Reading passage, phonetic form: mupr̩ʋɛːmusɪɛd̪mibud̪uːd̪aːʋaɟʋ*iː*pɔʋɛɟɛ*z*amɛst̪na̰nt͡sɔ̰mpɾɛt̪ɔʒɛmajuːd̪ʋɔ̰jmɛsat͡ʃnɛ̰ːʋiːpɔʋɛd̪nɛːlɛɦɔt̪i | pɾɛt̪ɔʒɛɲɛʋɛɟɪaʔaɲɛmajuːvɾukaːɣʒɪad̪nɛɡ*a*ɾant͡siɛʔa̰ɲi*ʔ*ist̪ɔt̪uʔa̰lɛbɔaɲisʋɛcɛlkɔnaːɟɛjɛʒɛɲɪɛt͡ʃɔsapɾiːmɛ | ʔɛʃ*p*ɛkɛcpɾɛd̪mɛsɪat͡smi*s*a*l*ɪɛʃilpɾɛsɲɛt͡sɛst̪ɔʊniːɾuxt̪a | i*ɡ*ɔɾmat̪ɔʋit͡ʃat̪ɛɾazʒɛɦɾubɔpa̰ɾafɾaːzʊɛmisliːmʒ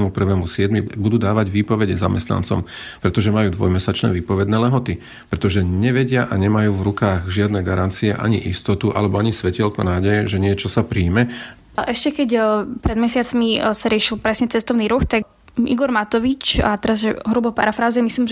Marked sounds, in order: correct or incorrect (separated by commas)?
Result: correct, correct, correct, correct, incorrect, correct, incorrect, correct